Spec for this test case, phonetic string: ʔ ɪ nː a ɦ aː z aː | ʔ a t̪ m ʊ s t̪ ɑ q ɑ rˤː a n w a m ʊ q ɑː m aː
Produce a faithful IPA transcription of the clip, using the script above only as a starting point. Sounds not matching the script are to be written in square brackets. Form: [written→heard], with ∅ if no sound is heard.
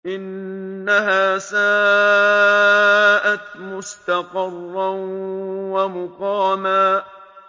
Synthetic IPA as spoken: ʔ ɪ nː a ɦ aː [z→s] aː | ʔ a t̪ m ʊ s t̪ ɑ q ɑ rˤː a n w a m ʊ q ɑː m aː